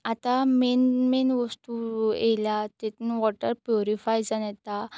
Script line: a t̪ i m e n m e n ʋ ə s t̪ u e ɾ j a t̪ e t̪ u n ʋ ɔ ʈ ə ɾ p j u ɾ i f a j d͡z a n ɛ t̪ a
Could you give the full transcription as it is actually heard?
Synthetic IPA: a t̪ a m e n m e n ʋ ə s t̪ u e l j a t̪ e t̪ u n ʋ ɔ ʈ ə ɾ p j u ɾ i f a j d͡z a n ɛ t̪ a